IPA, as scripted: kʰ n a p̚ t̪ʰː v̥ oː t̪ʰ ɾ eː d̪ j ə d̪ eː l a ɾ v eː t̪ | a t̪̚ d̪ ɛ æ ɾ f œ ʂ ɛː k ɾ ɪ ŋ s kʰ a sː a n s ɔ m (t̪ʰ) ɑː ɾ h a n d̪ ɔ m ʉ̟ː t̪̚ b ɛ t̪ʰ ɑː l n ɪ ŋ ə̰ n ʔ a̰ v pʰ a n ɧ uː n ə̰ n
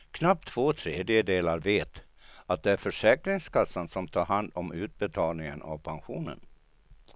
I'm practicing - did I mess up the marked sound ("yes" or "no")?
no